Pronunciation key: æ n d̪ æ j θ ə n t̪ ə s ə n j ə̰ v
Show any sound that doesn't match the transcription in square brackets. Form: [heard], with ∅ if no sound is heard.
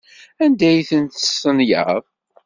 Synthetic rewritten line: æ n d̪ æ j θ ə n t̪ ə s ə n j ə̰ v

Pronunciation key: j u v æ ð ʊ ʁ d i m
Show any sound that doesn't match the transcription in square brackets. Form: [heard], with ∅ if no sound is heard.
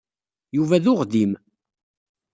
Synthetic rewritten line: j u v æ ð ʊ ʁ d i m

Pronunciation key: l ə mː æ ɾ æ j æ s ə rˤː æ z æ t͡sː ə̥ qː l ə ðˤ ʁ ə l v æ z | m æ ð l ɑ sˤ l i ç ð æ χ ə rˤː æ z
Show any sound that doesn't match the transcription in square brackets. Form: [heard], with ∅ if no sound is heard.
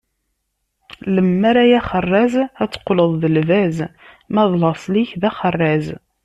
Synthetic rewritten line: l ə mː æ ɾ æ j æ [χ] ə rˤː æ z æ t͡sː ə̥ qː l ə ðˤ [ð] ə l v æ z | m æ ð l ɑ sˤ l i ç ð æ χ ə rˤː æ z

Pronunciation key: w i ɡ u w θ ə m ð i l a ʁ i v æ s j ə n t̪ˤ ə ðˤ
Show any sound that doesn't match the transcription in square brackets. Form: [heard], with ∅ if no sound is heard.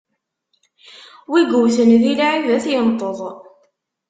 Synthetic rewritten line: w i ɡ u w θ ə [n] ð i l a [ʕ] i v æ [θ] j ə n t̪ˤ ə ðˤ

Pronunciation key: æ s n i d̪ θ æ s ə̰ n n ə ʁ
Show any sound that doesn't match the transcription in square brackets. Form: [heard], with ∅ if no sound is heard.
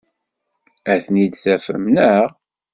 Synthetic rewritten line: æ [θ] n i d̪ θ æ [f] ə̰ [m] n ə ʁ

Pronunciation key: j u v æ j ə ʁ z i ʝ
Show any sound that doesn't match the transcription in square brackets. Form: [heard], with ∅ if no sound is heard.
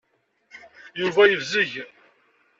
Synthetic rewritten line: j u v æ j ə [v] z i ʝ

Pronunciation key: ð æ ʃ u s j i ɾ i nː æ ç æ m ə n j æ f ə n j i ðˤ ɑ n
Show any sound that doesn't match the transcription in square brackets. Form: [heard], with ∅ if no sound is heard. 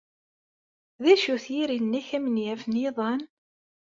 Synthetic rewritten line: ð æ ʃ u [θ] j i ɾ i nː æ ç æ m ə n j æ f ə n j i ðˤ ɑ n

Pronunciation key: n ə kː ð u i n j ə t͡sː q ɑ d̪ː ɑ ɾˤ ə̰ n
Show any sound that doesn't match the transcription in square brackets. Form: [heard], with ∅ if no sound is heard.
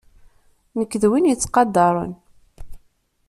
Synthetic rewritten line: n ə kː ð [w] i n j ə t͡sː q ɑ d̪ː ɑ ɾˤ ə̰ n

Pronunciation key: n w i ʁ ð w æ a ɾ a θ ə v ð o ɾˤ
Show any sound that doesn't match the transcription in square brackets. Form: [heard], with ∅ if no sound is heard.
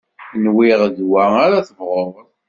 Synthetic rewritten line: n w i ʁ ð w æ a ɾ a θ ə v [ʁ] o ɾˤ

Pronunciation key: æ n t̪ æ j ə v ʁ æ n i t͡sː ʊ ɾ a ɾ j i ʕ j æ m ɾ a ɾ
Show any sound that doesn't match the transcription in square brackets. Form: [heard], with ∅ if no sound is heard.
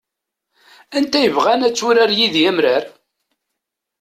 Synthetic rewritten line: æ n t̪ æ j ə v ʁ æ n [æ] t͡sː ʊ ɾ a ɾ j i [ð] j æ m ɾ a ɾ

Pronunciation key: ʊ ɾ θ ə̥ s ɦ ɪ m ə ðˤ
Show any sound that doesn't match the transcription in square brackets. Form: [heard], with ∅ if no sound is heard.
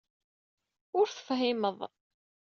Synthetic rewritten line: ʊ ɾ θ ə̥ [f] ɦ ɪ m ə ðˤ

